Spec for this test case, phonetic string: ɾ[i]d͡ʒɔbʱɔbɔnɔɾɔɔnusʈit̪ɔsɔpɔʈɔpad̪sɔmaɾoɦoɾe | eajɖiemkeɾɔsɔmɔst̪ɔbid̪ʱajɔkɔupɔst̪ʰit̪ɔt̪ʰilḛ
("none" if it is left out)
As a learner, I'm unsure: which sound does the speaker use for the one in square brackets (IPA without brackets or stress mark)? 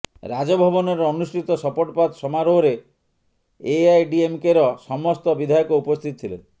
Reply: a